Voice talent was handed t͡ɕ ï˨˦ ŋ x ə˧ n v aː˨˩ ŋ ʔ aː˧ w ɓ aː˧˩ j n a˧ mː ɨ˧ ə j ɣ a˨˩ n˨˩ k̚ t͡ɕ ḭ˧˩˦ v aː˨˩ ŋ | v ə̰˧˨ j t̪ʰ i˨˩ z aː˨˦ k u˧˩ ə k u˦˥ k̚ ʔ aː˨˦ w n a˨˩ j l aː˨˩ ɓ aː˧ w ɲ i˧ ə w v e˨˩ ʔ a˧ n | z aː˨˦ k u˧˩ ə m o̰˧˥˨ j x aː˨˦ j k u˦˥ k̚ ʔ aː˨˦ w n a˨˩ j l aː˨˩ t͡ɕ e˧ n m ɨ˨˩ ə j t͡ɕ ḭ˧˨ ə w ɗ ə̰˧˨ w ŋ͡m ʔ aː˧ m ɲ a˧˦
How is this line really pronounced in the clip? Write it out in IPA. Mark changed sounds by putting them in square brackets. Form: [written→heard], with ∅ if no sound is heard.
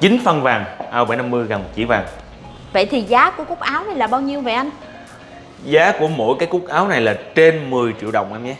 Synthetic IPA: t͡ɕ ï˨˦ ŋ [x→f] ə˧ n v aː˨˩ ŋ ʔ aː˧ w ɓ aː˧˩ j n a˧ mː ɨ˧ ə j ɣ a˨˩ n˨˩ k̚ t͡ɕ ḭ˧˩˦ v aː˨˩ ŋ | v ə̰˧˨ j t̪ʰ i˨˩ z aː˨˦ k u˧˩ ə k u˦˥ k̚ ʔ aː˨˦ w n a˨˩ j l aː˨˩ ɓ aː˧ w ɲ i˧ ə w v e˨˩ ʔ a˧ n | z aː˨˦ k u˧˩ ə m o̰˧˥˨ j [x→k] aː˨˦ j k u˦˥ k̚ ʔ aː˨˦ w n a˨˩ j l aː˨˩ t͡ɕ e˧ n m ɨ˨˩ ə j t͡ɕ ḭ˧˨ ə w ɗ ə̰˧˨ w ŋ͡m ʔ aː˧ m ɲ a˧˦